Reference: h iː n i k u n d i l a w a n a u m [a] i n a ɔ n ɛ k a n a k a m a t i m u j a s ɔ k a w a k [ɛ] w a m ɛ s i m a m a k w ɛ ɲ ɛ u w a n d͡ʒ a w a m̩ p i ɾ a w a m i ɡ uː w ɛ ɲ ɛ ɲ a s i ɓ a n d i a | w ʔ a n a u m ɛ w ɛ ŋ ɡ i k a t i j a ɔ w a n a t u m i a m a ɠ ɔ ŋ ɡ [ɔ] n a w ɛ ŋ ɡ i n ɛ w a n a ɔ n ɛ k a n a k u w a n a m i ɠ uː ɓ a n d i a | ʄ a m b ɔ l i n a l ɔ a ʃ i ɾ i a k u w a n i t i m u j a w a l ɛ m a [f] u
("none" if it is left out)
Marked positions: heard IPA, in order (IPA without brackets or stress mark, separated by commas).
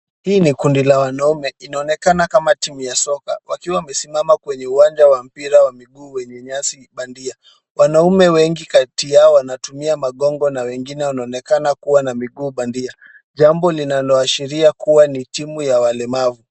ɛ, i, ɔ, v